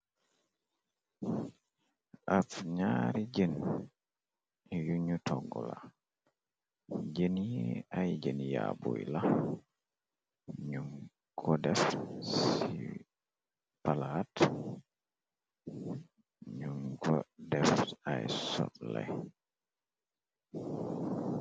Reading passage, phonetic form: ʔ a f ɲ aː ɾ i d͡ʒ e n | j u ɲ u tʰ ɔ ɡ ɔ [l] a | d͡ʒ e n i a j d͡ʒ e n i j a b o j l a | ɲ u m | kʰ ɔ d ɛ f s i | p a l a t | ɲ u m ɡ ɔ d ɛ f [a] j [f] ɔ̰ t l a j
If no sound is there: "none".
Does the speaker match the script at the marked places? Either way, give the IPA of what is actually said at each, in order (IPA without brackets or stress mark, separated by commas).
l, a, s